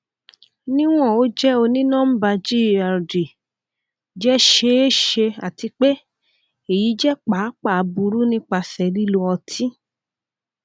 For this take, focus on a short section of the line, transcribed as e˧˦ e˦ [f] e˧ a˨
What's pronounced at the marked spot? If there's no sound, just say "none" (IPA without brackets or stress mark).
ʃ